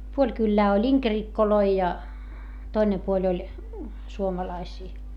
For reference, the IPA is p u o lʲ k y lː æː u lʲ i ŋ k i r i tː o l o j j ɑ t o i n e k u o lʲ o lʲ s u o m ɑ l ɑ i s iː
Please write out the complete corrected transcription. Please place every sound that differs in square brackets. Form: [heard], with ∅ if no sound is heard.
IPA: p u o lʲ k y lː æː [o] lʲ i ŋ k [e] r i [kː] o l o [i] j ɑ t o i n e [p] u o lʲ o lʲ s u o m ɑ l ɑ i s iː

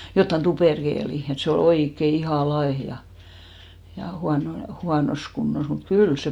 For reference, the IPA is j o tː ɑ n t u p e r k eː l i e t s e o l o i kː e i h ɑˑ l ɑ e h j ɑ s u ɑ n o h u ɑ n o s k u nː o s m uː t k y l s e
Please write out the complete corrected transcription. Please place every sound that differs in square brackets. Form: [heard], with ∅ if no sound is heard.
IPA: j o tː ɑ n t u p e r k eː l i e t s e o l o i kː e i h ɑˑ l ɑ e h j ɑ [h] u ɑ n o h u ɑ n o s k u nː o s m [u] t k y l s e

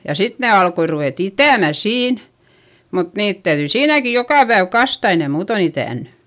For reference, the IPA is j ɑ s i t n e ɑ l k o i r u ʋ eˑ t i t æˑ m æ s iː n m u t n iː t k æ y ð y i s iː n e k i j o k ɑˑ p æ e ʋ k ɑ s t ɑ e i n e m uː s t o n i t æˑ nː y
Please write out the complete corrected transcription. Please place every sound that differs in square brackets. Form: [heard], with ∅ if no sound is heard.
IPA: j ɑ s i t n e ɑ l k o i r u ʋ eˑ t i t æˑ m æ s iː n m u t n iː t [t] æ y ð y i s iː n [æ] k i j o k ɑˑ p æ e ʋ k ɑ s t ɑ e i n e m uː [∅] t o n i t æˑ nː y

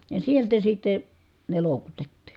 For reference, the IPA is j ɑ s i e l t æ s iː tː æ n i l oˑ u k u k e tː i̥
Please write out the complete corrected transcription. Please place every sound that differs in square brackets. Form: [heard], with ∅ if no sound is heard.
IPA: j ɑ s i e l t æ s [i] tː [e] n [e] l oˑ u k u [t] e tː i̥

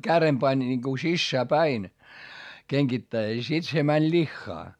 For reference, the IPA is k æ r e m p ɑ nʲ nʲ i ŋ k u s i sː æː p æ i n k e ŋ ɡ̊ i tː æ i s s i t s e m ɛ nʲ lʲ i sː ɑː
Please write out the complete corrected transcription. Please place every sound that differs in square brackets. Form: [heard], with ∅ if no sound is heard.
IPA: k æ r e m p ɑ nʲ nʲ i ŋ k u s i sː æː p æ i n k e ŋ ɡ̊ i tː æ i s s i t s e m [æ] nʲ lʲ i [xː] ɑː

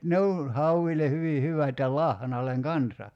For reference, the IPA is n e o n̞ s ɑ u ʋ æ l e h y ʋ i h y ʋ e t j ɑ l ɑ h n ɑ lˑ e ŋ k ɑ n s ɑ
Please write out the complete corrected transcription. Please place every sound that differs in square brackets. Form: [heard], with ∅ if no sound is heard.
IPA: n e o n̞ [h] ɑ u ʋ [i] l e h y ʋ i h y ʋ [æ] t j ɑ l ɑ h n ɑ lˑ e ŋ k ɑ n s ɑ

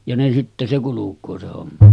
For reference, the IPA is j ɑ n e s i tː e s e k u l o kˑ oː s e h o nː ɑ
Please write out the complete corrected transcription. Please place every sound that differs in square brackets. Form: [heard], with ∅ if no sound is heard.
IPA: j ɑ n e s i tː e s e k u l [u] kˑ oː s e h o [mː] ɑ

